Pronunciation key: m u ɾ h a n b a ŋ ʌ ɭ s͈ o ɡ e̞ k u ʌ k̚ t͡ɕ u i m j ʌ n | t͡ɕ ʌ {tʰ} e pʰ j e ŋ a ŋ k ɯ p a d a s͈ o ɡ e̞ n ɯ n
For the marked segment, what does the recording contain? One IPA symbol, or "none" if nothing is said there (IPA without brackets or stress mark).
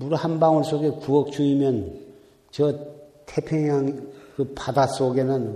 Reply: tʰ